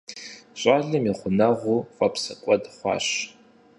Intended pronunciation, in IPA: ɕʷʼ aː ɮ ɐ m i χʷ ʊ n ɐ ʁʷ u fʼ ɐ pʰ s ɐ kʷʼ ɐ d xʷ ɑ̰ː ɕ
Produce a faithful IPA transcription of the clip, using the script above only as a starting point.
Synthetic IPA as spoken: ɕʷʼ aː ɮ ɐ m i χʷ ʊ n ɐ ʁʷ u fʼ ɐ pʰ s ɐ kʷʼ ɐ d χʷ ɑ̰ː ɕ